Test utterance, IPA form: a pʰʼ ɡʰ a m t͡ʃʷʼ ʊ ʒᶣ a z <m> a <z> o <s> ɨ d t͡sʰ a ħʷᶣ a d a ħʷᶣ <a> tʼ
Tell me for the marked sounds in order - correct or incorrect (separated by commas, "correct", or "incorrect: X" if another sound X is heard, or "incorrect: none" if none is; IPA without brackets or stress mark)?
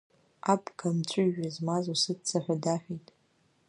correct, correct, correct, incorrect: i